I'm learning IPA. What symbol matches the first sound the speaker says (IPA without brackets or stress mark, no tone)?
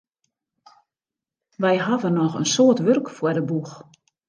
ʋ